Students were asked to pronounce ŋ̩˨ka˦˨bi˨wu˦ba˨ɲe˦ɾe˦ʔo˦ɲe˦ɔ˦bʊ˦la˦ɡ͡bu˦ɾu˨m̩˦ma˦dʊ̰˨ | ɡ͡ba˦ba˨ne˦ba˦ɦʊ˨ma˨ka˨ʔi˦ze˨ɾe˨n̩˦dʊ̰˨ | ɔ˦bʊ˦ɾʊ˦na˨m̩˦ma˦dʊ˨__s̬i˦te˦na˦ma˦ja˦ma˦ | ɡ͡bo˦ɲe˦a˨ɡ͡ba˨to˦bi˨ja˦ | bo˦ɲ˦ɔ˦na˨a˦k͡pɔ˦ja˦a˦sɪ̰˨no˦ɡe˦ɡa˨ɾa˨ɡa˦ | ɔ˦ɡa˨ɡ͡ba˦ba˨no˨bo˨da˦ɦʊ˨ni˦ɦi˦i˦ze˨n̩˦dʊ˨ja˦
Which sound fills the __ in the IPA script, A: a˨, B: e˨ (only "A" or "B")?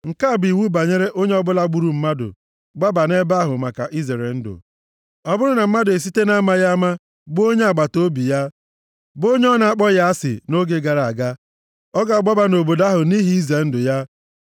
B